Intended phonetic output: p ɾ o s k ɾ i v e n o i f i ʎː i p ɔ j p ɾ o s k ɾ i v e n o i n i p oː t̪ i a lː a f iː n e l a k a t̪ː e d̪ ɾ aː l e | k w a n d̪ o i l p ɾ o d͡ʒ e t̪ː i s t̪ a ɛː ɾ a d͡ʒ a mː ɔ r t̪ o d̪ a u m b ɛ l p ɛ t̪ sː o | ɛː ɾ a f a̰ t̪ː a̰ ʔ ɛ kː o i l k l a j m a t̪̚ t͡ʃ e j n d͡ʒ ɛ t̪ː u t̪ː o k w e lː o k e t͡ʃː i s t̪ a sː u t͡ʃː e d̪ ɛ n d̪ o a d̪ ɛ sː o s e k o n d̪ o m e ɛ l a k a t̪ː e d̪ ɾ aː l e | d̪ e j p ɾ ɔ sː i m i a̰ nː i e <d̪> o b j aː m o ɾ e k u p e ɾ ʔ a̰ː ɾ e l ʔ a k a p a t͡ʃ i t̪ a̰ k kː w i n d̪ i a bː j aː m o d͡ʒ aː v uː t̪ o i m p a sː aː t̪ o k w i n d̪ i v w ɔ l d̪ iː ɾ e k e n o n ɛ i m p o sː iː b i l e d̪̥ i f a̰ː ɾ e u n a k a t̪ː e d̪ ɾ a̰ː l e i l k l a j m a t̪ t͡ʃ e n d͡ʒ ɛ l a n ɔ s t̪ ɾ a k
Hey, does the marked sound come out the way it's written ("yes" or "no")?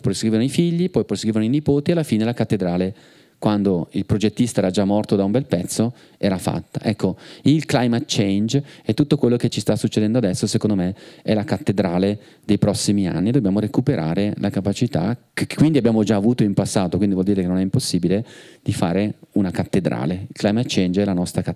yes